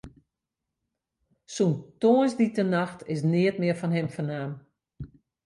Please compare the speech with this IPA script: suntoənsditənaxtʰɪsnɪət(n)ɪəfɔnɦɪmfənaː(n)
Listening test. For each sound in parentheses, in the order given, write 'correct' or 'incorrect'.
incorrect: m, incorrect: m

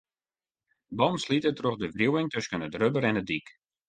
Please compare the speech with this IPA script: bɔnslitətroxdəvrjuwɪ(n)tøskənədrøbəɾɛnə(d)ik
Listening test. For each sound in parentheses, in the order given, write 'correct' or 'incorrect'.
incorrect: ŋ, correct

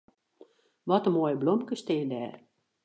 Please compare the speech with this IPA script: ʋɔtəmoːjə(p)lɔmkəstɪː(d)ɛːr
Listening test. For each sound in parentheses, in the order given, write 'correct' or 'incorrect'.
incorrect: b, correct

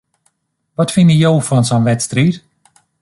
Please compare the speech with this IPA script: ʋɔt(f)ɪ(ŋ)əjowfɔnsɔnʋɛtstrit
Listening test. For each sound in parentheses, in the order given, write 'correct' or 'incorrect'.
correct, incorrect: n

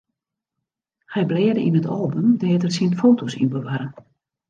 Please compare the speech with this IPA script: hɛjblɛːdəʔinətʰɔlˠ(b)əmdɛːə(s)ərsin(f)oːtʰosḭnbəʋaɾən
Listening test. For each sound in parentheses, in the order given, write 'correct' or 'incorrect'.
correct, incorrect: t, correct

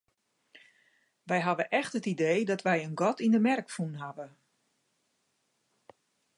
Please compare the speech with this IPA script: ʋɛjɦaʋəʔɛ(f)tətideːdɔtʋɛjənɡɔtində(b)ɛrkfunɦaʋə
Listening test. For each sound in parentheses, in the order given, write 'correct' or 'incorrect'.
incorrect: x, incorrect: m

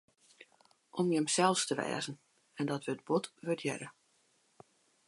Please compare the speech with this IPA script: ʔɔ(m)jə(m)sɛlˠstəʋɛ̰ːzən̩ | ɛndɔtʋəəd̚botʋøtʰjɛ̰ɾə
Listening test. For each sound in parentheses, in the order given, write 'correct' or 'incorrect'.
correct, correct

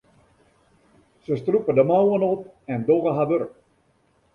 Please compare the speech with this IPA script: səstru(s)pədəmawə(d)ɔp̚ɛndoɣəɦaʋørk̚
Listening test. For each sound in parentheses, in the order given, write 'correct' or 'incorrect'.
incorrect: none, incorrect: n

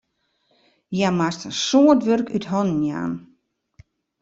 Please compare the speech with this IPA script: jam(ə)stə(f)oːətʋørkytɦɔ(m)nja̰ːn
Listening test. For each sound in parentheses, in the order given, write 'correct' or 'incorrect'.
incorrect: a, incorrect: s, incorrect: n

